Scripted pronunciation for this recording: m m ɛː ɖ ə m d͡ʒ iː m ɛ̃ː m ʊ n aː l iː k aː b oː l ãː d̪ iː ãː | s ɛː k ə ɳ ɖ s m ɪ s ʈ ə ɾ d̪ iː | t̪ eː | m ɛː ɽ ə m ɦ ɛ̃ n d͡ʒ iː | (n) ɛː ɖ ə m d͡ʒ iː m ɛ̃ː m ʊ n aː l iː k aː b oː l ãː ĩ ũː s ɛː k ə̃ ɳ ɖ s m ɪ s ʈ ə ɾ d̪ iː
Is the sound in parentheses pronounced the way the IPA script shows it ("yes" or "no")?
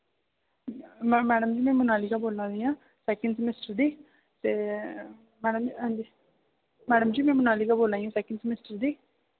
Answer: no